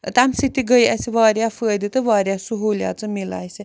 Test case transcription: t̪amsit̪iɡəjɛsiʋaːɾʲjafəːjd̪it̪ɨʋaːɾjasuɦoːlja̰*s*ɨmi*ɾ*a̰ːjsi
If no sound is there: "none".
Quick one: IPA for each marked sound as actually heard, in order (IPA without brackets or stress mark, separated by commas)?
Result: t͡s, l